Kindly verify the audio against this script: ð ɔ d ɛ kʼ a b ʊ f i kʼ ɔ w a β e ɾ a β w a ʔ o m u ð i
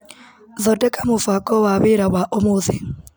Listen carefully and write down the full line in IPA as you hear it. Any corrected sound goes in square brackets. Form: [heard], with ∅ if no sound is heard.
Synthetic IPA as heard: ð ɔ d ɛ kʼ a [m] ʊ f [a] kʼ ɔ w a β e ɾ a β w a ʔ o m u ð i